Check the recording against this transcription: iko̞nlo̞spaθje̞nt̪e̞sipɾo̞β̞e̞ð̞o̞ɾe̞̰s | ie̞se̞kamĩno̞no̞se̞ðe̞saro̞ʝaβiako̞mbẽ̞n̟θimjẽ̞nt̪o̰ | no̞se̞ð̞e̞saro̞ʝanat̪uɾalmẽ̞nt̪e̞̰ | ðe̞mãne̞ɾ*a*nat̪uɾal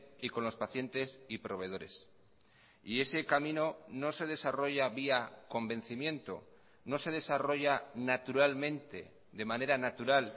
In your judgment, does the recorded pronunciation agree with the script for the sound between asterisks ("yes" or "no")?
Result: yes